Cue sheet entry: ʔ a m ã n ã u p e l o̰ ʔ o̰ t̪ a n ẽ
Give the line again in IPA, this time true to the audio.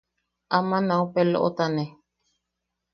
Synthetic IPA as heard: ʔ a m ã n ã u p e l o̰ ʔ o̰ t̪ a n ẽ